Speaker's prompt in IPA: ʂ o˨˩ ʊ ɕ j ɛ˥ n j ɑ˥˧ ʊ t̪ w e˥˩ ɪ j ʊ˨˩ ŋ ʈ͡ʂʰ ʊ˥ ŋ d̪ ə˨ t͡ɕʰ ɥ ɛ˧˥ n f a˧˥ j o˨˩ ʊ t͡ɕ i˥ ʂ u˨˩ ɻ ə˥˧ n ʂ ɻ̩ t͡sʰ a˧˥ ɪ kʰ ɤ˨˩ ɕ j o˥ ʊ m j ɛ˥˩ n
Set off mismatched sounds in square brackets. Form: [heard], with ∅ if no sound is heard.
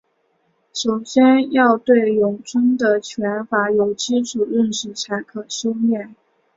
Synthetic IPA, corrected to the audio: ʂ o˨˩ ʊ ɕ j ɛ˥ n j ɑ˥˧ ʊ t̪ w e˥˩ ɪ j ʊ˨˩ ŋ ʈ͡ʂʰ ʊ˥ ŋ d̪ ə˨ t͡ɕʰ ɥ ɛ˧˥ n f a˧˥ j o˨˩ ʊ t͡ɕ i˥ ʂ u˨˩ ɻ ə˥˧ n ʂ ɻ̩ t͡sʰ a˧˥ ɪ kʰ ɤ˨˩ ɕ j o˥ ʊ m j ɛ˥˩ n